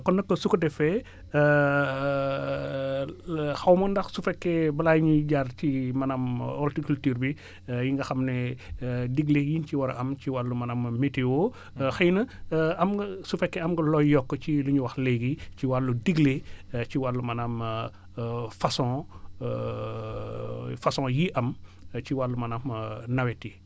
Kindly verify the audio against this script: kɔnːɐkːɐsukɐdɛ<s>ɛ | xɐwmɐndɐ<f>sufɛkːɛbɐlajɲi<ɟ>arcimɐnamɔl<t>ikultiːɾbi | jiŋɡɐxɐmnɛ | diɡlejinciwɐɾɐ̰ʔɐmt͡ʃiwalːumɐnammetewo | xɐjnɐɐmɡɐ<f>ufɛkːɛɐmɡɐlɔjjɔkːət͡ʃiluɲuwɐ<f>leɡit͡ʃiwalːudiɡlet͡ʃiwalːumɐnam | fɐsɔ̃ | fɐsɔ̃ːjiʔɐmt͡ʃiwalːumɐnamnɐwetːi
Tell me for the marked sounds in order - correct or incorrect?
incorrect: f, incorrect: x, correct, correct, incorrect: s, incorrect: x

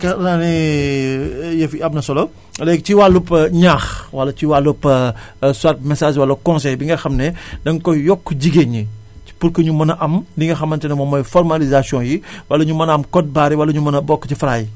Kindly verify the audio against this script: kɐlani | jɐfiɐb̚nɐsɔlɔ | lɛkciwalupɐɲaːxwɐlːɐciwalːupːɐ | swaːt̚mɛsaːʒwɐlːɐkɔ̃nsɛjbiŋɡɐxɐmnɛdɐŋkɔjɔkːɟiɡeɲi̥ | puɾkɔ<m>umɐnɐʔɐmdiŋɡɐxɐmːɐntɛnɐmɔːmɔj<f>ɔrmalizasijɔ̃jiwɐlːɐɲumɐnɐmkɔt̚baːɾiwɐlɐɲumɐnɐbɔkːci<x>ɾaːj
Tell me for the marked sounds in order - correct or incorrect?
incorrect: ɲ, correct, incorrect: f

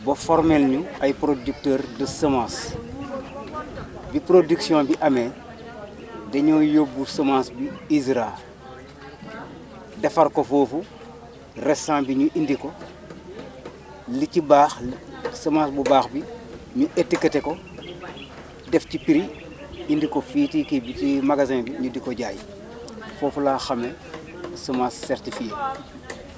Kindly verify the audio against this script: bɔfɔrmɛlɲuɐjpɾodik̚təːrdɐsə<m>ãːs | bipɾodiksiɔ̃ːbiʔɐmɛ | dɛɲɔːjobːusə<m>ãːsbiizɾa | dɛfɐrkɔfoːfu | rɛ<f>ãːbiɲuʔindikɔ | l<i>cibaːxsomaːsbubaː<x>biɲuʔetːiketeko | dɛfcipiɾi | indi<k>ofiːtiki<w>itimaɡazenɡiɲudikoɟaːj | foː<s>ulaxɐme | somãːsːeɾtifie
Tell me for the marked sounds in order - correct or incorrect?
correct, correct, incorrect: s, correct, correct, correct, incorrect: b, incorrect: f

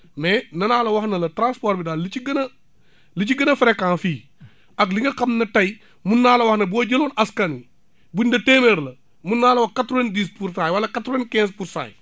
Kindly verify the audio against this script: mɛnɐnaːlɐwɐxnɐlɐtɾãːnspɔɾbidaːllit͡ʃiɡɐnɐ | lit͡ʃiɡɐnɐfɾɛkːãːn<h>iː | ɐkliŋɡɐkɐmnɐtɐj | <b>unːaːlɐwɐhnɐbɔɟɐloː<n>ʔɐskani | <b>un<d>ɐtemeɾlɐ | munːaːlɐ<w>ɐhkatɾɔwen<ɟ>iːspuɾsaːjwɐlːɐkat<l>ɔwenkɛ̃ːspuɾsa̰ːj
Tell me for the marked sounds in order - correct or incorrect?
incorrect: f, incorrect: m, correct, correct, correct, correct, incorrect: d, incorrect: ɾ

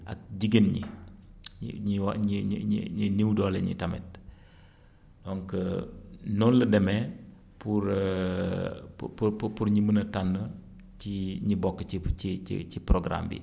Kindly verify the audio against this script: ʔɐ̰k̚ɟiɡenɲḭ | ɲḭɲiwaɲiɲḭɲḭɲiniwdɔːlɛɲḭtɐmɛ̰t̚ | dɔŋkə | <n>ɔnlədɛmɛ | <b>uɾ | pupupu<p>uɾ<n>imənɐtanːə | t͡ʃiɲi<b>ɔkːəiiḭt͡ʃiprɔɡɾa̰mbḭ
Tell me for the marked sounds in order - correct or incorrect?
correct, incorrect: p, correct, incorrect: ɲ, correct

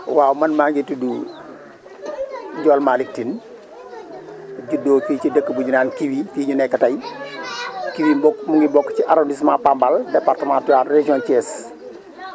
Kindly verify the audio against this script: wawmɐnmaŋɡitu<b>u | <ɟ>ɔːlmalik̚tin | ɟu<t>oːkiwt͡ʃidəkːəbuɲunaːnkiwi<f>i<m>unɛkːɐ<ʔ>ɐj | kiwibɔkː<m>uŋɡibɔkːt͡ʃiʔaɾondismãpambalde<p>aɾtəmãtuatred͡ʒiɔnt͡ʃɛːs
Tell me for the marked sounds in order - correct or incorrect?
incorrect: d, correct, incorrect: d, correct, incorrect: ɲ, incorrect: t, correct, correct

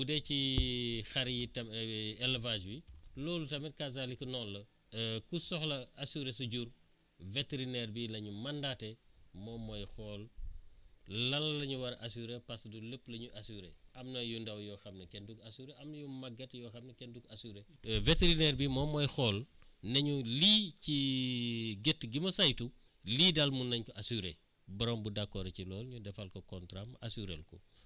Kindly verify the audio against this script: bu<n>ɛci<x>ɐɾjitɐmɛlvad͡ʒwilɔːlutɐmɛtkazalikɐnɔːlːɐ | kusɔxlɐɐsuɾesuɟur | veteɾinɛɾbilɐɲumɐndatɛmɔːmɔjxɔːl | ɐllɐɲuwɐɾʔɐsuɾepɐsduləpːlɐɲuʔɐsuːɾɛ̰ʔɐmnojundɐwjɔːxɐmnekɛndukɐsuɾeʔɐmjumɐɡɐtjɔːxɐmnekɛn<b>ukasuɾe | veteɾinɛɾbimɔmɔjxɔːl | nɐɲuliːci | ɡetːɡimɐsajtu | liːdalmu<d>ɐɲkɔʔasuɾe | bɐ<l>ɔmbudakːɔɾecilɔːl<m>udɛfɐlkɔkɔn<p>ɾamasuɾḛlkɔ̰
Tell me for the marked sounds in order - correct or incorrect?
incorrect: d, correct, incorrect: d, incorrect: n, incorrect: ɾ, incorrect: ɲ, incorrect: t

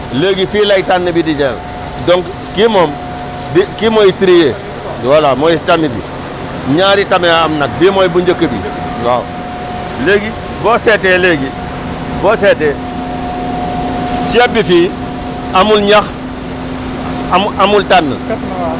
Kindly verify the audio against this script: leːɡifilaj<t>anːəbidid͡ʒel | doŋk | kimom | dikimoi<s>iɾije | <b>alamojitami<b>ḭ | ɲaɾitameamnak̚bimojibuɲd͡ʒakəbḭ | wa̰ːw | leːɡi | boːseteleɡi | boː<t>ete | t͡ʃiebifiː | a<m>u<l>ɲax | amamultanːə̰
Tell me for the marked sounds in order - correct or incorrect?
correct, incorrect: t, incorrect: w, correct, incorrect: s, correct, correct

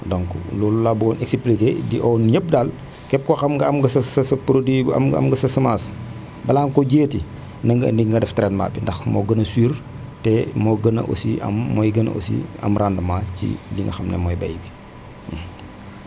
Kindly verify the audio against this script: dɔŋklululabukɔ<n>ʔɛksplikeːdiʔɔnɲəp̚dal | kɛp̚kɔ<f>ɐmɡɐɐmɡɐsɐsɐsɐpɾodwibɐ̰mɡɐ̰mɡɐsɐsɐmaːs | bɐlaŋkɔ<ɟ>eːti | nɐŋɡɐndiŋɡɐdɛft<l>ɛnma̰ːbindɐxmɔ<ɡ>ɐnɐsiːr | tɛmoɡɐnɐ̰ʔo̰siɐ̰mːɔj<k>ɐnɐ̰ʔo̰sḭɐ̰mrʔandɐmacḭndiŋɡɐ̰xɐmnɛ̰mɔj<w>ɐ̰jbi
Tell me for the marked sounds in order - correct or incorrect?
correct, incorrect: x, correct, incorrect: ɾ, correct, incorrect: ɡ, incorrect: b

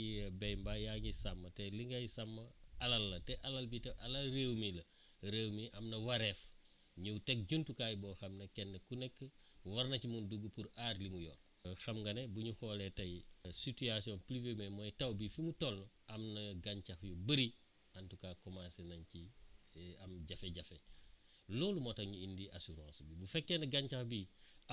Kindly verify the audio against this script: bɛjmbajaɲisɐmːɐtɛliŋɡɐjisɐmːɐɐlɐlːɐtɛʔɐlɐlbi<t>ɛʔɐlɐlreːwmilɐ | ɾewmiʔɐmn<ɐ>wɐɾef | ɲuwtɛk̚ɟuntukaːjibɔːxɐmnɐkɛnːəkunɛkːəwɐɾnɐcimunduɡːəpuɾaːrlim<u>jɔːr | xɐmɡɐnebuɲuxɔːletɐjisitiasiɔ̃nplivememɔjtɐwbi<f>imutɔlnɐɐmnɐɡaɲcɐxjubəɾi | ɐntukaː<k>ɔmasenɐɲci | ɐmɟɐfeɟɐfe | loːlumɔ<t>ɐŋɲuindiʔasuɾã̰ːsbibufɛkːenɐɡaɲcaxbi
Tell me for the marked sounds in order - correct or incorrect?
correct, correct, correct, correct, correct, correct

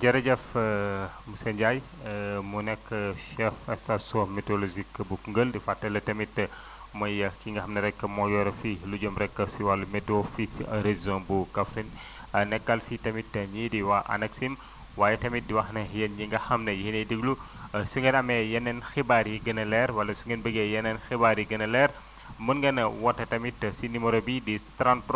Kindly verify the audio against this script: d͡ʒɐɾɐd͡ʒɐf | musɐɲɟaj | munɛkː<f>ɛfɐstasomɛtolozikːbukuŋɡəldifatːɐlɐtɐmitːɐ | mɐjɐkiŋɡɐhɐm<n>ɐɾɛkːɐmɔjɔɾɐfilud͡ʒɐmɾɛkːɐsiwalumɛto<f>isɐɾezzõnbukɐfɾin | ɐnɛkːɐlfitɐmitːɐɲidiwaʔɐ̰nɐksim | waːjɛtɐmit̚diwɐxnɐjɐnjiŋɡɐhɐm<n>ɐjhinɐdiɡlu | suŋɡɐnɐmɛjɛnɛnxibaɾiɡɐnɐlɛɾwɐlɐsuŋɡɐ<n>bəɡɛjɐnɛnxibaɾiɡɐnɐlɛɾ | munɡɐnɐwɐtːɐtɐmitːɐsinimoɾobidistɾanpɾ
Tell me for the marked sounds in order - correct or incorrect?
incorrect: ʃ, correct, correct, correct, correct

